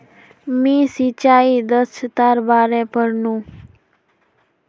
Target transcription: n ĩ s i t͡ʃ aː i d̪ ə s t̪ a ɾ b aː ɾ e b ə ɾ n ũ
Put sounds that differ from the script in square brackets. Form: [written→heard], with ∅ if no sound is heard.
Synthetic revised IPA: [n→m] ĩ s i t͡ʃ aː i d̪ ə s t̪ a ɾ b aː ɾ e [b→p] ə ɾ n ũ

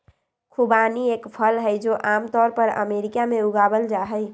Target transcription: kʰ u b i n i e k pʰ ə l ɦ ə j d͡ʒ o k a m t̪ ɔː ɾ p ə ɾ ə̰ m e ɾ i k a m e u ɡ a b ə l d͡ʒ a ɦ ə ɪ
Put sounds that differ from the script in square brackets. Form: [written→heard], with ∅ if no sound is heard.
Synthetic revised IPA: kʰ u b [i→a] n i e k pʰ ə l ɦ ə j d͡ʒ o [k→ʔ] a m t̪ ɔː ɾ p ə ɾ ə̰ m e ɾ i k a m e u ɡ a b ə l d͡ʒ a ɦ ə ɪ

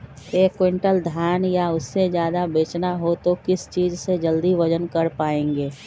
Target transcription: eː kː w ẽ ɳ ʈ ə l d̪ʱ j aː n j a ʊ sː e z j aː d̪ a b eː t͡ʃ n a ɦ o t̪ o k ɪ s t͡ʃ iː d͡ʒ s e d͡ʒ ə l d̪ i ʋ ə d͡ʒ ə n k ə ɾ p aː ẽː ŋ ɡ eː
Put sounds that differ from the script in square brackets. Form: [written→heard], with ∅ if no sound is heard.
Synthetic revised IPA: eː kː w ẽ ɳ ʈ ə l d̪ʱ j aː n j a ʊ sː e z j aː d̪ a b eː t͡ʃ n a ɦ o t̪ o k ɪ s t͡ʃ iː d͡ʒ s e d͡ʒ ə l d̪ i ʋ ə d͡ʒ ə n k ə ɾ p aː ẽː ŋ ɡ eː

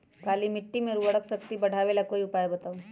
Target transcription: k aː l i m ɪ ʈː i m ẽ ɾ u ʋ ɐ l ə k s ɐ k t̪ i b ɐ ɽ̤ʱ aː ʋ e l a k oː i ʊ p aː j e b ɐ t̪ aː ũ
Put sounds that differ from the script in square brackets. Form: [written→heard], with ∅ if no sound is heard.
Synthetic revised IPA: k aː l i m ɪ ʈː i m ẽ ɾ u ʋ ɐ [l→ɽ] ə k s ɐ k t̪ i b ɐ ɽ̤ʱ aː ʋ e l a k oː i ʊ p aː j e b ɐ t̪ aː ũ

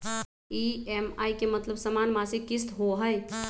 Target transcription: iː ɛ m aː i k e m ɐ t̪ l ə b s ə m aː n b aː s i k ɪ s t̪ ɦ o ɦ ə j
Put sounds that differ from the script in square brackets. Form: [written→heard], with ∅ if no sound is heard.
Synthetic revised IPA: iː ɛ m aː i k e m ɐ t̪ l ə b s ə m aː n [b→m] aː s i k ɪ s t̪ ɦ o ɦ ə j

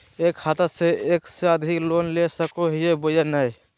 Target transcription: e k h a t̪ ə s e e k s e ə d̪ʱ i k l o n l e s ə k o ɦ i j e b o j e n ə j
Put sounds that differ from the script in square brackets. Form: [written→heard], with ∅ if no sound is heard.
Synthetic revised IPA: e k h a t̪ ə s e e k s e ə d̪ʱ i k l o n l e s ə k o ɦ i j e b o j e n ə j

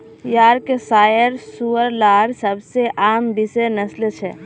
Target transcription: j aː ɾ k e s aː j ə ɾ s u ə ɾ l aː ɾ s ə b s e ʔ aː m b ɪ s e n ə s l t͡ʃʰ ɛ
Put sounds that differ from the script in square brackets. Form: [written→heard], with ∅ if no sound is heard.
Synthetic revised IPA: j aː ɾ k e s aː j ə ɾ s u ə ɾ l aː ɾ s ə b s e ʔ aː m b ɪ s e n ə s l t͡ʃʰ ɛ

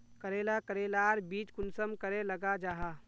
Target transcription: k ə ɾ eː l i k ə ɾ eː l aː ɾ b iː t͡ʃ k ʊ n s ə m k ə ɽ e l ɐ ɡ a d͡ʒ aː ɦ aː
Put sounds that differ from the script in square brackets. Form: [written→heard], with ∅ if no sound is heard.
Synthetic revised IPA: k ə ɾ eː l [i→a] k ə ɾ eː l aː ɾ b iː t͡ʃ k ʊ n s ə m k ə [ɽ→ɾ] e l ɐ ɡ a d͡ʒ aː ɦ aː

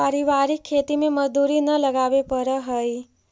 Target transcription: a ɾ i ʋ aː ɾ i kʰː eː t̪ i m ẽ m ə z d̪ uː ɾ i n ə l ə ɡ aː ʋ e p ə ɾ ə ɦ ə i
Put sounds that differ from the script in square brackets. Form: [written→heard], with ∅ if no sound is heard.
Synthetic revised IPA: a ɾ i ʋ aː ɾ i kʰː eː t̪ i m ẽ m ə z d̪ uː ɾ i n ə l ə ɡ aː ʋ e p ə ɾ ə ɦ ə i

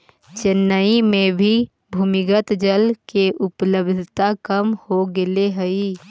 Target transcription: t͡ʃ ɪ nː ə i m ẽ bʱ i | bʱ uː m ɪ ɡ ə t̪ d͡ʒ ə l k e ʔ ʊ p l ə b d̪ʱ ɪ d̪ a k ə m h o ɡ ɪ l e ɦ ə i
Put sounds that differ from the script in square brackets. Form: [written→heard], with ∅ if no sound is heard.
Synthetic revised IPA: t͡ʃ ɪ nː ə i m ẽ bʱ i | bʱ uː m ɪ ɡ ə t̪ d͡ʒ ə l k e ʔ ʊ p l ə b d̪ʱ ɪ [d̪→t̪] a k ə m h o ɡ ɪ l e ɦ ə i

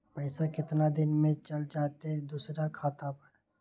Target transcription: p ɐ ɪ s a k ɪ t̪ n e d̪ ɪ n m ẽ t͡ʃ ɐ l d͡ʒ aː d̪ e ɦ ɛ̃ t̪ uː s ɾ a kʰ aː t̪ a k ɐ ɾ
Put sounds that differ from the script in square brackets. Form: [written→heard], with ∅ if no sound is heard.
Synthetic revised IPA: p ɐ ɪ s a k ɪ t̪ n [e→a] d̪ ɪ n m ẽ t͡ʃ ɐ l d͡ʒ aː [d̪→t̪] e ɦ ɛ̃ [t̪→d̪] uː s ɾ a kʰ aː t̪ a [k→p] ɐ ɾ

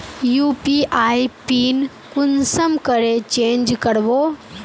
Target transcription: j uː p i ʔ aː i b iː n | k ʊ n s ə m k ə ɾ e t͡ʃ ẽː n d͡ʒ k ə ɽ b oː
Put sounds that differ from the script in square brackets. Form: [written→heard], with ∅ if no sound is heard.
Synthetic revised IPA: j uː p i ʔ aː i [b→p] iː n | k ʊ n s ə m k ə ɾ e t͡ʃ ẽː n d͡ʒ k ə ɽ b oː

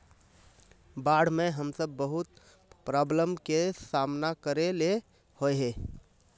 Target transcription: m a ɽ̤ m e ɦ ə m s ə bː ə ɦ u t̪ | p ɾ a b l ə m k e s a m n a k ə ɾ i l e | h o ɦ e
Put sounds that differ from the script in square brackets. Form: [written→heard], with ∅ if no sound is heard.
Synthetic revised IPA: [m→b] a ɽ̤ m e ɦ ə m s ə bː ə ɦ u t̪ | p ɾ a b l ə m k e s a m n a k ə ɾ [i→e] l e | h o ɦ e

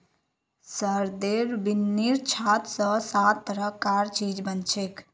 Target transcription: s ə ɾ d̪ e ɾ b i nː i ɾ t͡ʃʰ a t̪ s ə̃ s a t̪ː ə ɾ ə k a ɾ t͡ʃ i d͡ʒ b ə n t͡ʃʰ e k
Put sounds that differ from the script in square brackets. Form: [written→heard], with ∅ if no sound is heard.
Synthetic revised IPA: s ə ɾ d̪ e ɾ b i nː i ɾ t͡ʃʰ a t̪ s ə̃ s a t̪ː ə ɾ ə k a ɾ t͡ʃ i d͡ʒ b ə n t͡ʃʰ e k

